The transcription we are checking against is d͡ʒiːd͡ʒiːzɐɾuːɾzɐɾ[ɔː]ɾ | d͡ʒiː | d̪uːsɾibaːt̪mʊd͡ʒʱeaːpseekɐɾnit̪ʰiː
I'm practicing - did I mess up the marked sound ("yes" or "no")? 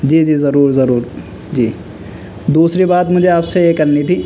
yes